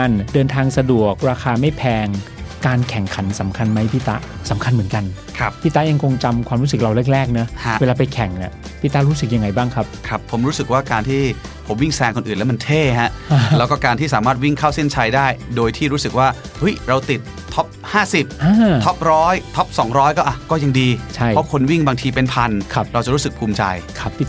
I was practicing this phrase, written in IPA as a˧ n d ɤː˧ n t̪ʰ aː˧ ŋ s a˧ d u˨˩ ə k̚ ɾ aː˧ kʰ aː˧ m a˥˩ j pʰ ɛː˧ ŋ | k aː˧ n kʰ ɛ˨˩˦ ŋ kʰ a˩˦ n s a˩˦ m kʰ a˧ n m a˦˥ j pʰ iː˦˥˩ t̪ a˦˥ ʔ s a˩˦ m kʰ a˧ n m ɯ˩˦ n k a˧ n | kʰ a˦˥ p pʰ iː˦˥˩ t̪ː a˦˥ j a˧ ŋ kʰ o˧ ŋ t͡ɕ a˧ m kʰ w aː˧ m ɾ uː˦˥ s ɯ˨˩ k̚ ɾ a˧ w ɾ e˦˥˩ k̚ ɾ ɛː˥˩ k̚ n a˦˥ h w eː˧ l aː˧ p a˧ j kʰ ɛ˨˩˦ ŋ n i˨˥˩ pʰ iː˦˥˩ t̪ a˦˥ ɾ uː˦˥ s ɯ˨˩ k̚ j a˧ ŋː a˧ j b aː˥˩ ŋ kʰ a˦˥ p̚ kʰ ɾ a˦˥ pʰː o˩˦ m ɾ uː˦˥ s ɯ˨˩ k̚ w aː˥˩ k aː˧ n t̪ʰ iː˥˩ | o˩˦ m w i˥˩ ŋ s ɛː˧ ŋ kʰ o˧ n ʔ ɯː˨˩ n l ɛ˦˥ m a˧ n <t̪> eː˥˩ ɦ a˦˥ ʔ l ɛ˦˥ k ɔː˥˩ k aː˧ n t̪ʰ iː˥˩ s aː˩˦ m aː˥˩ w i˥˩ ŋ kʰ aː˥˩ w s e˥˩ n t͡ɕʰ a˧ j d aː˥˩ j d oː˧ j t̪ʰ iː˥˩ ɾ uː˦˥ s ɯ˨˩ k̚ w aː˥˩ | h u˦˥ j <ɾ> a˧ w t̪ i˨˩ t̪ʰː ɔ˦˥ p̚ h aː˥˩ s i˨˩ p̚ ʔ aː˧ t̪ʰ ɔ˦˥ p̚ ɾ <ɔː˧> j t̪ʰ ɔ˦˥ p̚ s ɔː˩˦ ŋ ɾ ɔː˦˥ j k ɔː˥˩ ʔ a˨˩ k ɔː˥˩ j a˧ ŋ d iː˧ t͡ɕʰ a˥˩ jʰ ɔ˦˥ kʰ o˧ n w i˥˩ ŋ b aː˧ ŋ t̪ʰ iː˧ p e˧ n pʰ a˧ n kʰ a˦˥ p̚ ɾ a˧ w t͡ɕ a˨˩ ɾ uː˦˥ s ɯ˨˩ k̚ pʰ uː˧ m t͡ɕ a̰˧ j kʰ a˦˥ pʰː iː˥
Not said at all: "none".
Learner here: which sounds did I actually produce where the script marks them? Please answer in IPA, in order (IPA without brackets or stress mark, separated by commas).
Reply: t̪ʰ, ɾ, ɔː˦˥